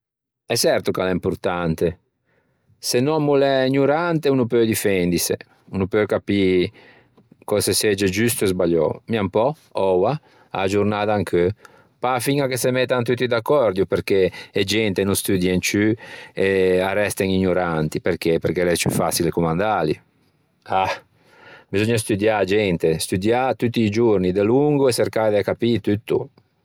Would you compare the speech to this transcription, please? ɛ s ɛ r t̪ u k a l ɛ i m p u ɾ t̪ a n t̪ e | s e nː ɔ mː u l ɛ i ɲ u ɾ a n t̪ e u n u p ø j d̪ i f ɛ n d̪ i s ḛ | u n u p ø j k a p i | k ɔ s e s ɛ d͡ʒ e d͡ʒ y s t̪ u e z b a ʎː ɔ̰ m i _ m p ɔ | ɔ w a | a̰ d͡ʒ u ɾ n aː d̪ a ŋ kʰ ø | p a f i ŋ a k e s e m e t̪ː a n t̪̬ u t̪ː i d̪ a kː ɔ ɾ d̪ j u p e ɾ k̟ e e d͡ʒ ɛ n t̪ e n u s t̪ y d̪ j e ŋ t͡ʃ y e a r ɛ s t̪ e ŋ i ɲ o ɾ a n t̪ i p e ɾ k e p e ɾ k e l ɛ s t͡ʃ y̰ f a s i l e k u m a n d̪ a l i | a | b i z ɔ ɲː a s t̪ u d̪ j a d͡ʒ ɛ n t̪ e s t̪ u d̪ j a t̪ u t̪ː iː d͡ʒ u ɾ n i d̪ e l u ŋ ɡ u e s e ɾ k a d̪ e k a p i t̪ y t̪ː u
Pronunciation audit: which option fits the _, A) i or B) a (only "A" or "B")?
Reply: B